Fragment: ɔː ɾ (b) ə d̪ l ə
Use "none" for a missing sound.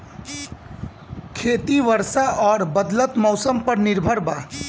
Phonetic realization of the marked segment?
b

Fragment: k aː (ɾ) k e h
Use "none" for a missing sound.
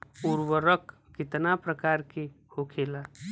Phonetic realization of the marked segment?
ɾ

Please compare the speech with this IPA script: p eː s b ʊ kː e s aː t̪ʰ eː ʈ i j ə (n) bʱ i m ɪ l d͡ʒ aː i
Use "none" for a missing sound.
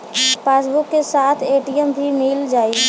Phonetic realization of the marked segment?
m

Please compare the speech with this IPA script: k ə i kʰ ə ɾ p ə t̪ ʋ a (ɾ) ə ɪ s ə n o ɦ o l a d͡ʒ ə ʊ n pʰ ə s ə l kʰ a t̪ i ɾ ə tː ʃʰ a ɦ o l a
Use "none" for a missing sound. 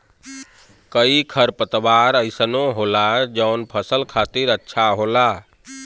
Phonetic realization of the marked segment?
ɾ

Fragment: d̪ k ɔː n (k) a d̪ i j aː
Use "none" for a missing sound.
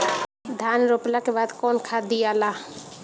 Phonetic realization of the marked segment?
kʰ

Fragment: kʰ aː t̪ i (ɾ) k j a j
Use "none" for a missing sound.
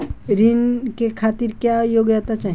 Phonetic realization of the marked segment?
ɾ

